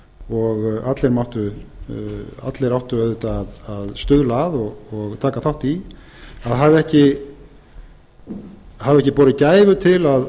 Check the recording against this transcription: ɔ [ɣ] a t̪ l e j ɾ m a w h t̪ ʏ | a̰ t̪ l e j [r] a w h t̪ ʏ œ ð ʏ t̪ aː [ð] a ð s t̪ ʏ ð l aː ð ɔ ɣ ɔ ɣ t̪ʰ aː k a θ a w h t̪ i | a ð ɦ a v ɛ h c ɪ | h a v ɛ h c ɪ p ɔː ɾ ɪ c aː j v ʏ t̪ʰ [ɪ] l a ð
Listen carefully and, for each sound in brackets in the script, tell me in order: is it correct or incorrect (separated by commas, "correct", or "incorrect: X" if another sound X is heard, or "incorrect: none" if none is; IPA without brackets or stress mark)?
correct, incorrect: ɾ, correct, correct